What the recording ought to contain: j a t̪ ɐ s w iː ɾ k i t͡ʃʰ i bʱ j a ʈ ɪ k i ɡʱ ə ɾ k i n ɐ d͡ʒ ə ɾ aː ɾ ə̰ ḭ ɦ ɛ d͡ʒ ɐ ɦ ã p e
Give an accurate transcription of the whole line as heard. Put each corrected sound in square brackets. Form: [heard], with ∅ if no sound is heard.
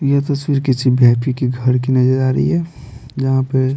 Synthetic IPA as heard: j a t̪ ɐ s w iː ɾ k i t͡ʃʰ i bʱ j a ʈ [i] k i ɡʱ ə ɾ k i n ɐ d͡ʒ ə ɾ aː ɾ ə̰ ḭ ɦ ɛ d͡ʒ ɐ ɦ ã p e